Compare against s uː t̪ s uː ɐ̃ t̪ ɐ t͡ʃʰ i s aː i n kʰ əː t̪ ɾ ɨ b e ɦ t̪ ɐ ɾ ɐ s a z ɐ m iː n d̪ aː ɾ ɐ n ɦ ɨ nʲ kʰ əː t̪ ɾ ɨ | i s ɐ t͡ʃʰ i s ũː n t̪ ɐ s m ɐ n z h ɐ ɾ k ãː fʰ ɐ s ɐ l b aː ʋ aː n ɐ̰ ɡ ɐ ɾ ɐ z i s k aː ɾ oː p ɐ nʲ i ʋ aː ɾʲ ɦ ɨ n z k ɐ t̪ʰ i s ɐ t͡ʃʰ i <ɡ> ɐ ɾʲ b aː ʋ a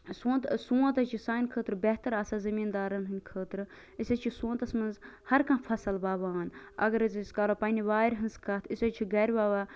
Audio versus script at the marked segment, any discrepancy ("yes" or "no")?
no